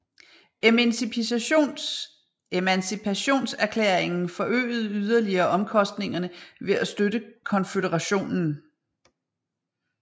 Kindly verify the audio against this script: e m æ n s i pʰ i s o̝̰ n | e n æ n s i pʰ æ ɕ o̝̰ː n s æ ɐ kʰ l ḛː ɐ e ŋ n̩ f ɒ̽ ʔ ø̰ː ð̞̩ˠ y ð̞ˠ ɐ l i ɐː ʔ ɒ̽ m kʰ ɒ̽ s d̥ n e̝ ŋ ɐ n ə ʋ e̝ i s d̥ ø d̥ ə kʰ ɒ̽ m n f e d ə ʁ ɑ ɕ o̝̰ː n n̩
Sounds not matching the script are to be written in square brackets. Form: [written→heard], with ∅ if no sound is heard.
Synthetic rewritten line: e m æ n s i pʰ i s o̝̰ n | e [n→m] æ n s i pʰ æ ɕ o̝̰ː n s æ ɐ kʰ l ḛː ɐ e ŋ n̩ f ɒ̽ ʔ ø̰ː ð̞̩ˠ y ð̞ˠ ɐ l i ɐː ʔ ɒ̽ m kʰ ɒ̽ s d̥ n e̝ ŋ ɐ n ə ʋ e̝ [i→æ] s d̥ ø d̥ ə kʰ ɒ̽ [m→∅] n f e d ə ʁ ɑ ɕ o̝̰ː n n̩